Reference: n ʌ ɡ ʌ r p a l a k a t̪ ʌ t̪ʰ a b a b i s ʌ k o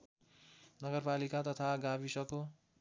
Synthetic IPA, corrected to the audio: n ʌ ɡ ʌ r p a l i k a t̪ ʌ t̪ʰ a ɡ a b i s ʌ k o